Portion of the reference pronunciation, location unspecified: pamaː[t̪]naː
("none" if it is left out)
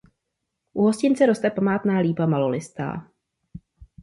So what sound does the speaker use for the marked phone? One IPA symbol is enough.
t̪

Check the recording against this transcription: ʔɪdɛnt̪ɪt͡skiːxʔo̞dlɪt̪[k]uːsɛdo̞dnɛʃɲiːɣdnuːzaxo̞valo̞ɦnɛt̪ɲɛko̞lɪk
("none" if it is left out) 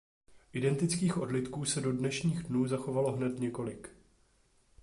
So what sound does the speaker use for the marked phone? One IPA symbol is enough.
k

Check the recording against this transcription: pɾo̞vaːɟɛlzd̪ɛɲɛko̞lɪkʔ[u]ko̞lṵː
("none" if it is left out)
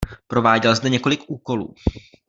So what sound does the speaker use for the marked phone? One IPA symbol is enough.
uː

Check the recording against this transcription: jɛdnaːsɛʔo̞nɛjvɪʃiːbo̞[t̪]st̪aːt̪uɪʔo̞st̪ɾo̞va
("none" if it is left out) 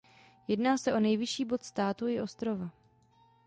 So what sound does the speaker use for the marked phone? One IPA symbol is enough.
t̪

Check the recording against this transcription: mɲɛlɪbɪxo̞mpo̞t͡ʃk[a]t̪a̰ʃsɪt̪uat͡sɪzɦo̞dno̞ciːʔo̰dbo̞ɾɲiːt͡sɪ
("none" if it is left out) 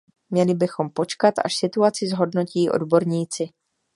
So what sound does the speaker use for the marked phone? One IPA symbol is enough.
a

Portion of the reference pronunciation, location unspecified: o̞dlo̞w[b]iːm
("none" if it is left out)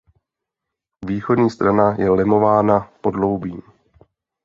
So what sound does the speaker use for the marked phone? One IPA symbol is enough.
b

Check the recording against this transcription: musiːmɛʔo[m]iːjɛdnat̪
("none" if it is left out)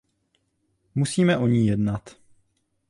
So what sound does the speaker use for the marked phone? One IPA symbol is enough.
ɲ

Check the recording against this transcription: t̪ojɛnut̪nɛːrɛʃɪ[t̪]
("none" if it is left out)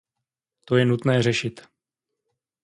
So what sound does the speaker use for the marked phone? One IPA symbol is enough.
t̪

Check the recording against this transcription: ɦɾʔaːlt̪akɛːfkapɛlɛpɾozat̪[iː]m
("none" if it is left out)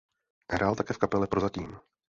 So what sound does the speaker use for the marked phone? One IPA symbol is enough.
iː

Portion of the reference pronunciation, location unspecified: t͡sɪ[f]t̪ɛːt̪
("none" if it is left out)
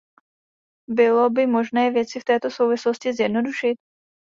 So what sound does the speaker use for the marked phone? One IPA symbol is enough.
f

